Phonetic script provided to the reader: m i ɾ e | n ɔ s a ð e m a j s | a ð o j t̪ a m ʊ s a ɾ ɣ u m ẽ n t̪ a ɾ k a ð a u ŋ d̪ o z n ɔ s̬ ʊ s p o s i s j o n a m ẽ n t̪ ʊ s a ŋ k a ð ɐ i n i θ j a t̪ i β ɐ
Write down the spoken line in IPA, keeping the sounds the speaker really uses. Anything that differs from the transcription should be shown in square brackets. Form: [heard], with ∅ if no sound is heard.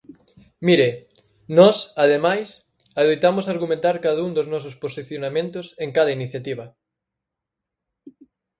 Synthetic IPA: m i ɾ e | n ɔ s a ð e m a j s | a ð o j t̪ a m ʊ s a ɾ ɣ u m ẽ n t̪ a ɾ k a ð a u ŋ d̪ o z n ɔ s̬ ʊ s p o s i [θ] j o n a m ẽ n t̪ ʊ s [e] ŋ k a ð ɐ i n i θ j a t̪ i β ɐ

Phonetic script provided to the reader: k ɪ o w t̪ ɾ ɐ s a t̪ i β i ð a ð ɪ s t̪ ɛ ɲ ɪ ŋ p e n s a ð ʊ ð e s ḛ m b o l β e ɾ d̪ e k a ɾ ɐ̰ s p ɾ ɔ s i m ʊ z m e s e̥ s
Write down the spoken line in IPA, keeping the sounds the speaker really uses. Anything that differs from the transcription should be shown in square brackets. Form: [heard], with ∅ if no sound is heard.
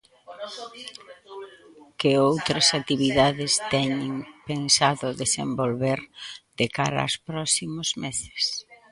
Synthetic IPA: k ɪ o w t̪ ɾ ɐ s a t̪ i β i ð a ð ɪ s t̪ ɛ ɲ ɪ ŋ p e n s a ð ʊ ð e s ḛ m b o l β e ɾ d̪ e k a ɾ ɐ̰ s p ɾ ɔ s i m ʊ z m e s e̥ s

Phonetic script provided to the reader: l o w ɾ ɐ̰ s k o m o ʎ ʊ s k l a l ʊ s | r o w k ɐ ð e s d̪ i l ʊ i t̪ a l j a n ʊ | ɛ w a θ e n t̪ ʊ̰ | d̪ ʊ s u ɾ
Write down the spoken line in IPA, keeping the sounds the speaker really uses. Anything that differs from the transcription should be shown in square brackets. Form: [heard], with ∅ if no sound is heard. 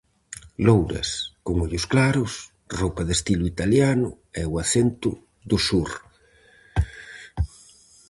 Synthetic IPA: l o w ɾ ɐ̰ s k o [ŋ] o ʎ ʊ s k l a [ɾ] ʊ s | r o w [p] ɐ ð e s [t̪] i l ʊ i t̪ a l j a n ʊ | ɛ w a θ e n t̪ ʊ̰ | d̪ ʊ s u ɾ

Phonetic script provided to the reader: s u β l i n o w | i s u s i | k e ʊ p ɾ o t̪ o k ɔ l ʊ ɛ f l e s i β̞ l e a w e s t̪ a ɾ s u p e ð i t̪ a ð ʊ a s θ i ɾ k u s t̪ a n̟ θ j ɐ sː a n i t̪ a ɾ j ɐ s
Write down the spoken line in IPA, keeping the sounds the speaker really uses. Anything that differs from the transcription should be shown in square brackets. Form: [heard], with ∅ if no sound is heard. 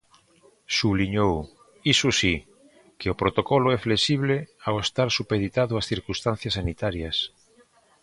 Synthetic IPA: s u β l i [ɲ] o w | i s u s i | k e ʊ p ɾ o t̪ o k ɔ l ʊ ɛ f l e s i β̞ l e a w e s t̪ a ɾ s u p e ð i t̪ a ð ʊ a s θ i ɾ k u s t̪ a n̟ θ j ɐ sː a n i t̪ a ɾ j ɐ s

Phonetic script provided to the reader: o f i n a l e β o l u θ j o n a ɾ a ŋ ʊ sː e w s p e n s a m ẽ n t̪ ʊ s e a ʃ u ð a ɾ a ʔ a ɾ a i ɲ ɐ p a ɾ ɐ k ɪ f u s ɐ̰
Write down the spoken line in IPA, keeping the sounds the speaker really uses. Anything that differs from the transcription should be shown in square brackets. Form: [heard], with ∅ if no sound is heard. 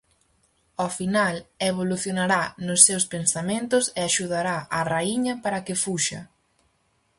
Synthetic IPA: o f i n a l e β o l u θ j o n a ɾ a [n] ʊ sː e w s p e n s a m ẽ n t̪ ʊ s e a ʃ u ð a ɾ a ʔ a [r] a i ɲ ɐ p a ɾ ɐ k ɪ f u [ʃ] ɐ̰

